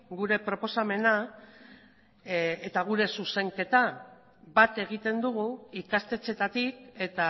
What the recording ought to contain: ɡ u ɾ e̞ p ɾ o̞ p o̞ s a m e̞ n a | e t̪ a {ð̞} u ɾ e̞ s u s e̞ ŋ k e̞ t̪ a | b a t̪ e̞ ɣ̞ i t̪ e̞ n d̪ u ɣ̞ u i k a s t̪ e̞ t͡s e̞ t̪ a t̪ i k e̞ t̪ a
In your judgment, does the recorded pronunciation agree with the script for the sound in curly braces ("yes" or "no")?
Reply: no